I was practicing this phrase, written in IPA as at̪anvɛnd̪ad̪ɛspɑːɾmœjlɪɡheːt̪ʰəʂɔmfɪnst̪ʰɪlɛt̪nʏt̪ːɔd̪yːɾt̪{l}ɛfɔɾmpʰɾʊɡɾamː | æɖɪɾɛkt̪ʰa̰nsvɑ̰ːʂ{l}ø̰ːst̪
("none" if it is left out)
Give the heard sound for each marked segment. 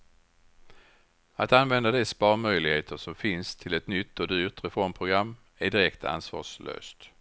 ɾ, l

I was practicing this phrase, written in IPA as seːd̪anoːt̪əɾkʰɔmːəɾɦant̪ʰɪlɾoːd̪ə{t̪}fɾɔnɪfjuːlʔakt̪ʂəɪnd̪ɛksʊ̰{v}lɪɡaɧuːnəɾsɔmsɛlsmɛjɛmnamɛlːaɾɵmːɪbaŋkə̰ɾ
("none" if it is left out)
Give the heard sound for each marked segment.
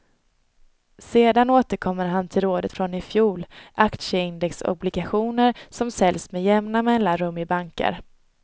t̪, b

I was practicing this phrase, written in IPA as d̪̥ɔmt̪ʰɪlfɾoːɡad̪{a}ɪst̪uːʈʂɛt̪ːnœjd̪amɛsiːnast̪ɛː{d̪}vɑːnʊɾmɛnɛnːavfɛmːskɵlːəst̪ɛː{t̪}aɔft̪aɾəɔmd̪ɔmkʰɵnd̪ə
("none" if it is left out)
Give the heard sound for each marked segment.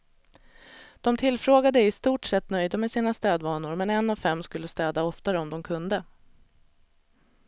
ə, d̪, d̪

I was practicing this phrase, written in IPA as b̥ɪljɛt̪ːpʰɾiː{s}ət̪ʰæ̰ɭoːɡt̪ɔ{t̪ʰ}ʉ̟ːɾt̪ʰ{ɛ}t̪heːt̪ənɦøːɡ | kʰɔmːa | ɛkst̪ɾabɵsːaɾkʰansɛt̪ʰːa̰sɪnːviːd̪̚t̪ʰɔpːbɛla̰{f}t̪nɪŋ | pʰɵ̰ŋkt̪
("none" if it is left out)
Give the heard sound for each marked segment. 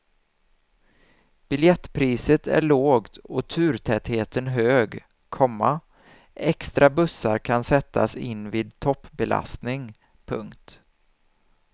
s, t̪ʰ, ɛ, s

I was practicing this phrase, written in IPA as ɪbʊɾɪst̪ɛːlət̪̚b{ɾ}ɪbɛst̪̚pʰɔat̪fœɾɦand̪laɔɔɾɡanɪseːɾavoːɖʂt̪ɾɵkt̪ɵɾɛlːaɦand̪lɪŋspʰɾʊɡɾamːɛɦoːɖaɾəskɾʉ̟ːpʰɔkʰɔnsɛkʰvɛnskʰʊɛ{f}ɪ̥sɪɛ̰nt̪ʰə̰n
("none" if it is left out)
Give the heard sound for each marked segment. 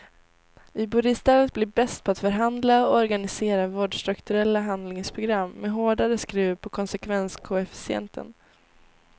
l, f

